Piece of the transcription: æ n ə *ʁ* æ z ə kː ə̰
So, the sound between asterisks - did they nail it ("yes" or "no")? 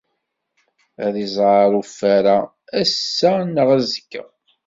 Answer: yes